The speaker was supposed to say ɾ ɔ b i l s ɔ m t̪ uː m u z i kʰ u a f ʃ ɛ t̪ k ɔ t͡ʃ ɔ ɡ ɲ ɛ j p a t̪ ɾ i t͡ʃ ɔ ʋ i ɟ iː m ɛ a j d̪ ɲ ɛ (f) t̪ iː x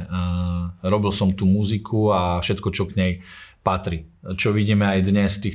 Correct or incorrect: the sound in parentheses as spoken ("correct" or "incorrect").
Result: incorrect